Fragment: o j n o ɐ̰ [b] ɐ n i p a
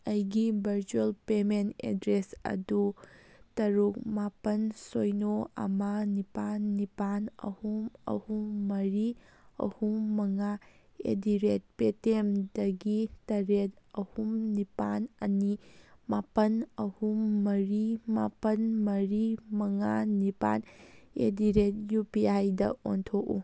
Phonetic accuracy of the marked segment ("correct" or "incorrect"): incorrect